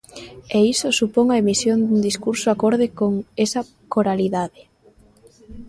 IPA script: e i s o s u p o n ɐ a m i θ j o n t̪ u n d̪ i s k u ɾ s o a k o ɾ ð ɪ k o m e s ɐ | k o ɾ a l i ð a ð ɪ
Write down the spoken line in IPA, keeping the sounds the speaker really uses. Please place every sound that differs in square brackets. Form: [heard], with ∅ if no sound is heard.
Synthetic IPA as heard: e i s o s u p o [ŋ] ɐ [e] m i [s] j o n [d̪] u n d̪ i s k u ɾ s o a k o ɾ ð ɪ k o [ŋ] e s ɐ | k o ɾ a l i ð a ð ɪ